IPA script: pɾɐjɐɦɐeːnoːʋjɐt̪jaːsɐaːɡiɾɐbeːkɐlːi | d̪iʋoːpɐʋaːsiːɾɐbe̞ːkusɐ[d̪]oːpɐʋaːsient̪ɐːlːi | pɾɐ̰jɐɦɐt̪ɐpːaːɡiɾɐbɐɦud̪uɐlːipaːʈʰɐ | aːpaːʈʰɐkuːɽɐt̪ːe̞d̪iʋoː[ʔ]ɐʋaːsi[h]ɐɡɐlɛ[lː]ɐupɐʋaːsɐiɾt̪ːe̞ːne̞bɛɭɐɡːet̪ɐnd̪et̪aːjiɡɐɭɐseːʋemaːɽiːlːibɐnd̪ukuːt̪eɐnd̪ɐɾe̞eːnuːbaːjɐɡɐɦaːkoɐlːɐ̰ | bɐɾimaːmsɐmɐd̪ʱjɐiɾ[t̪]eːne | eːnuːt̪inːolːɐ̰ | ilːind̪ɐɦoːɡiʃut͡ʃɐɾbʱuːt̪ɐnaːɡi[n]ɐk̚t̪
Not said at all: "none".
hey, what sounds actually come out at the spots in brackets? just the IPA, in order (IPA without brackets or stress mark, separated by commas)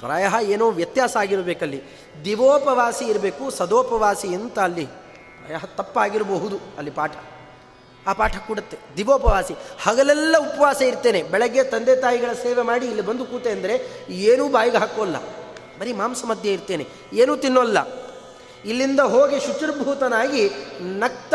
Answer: d̪, p, h, lː, t̪, n